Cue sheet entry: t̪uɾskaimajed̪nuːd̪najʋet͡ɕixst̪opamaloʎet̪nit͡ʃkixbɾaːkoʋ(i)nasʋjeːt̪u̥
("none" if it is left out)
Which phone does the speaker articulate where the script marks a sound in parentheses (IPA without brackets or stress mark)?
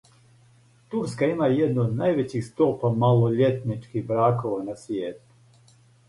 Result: a